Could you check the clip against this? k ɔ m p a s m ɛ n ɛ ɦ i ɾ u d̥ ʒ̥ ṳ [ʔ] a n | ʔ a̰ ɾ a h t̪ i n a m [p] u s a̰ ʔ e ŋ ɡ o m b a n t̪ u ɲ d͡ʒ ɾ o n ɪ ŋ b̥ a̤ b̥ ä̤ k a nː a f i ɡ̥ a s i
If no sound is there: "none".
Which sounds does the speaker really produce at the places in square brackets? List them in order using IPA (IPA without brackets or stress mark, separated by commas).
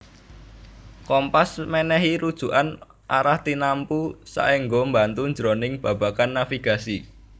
ʔ, p